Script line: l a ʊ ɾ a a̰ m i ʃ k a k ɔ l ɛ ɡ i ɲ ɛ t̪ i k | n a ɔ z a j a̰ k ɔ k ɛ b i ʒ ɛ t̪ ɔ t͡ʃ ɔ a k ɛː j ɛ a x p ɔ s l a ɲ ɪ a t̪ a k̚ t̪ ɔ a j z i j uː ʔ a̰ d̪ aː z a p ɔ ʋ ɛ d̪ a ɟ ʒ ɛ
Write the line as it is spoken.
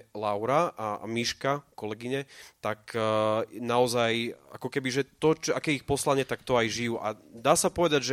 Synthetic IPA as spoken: l a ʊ ɾ a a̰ m i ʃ k a k ɔ l ɛ ɡ i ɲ ɛ t̪ a k | n a ɔ z a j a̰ k ɔ k ɛ b i ʒ ɛ t̪ ɔ t͡ʃ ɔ a k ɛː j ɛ i x p ɔ s l a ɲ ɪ ɛ t̪ a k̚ t̪ ɔ a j ʒ i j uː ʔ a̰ d̪ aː s a p ɔ ʋ ɛ d̪ a ɟ ʒ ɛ